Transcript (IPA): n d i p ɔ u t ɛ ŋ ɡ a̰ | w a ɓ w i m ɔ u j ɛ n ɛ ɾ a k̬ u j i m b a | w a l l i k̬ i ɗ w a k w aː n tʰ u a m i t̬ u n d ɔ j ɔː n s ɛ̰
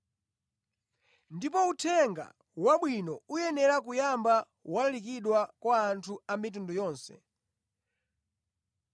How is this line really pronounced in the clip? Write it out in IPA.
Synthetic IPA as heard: n d i p ɔ u tʰ ɛ ŋ ɡ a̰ | w a ɓ w i n ɔ u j ɛ n ɛ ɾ a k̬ u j a m b a | w a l l i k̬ i ɗ w a k w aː n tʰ u a m i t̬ u n d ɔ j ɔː n s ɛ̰